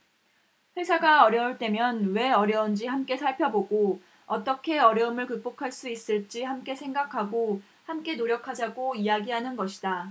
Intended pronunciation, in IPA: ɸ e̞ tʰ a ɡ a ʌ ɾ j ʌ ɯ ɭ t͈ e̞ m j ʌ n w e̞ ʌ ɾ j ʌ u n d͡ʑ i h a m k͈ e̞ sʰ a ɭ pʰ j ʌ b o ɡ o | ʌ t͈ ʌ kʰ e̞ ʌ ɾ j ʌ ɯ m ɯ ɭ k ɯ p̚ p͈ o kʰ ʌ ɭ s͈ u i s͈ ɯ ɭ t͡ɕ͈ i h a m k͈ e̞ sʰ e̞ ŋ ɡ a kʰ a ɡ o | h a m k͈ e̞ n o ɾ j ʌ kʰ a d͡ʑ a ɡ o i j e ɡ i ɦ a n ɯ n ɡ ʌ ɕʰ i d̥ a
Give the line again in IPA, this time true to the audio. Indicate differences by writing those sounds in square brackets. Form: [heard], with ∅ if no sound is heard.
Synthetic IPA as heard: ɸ e̞ [sʰ] a ɡ a ʌ ɾ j ʌ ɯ ɭ t͈ e̞ m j ʌ n w e̞ ʌ ɾ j ʌ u n d͡ʑ i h a m k͈ e̞ sʰ a ɭ pʰ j ʌ b o ɡ o | ʌ t͈ ʌ kʰ e̞ ʌ ɾ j ʌ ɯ m ɯ ɭ k ɯ [k̚] p͈ o kʰ [a] ɭ s͈ u i s͈ ɯ ɭ t͡ɕ͈ i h a m k͈ e̞ sʰ e̞ ŋ ɡ a kʰ a ɡ o | h a m k͈ e̞ n o ɾ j ʌ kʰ a d͡ʑ a ɡ o i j [a] ɡ i ɦ a n ɯ n ɡ ʌ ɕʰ i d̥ a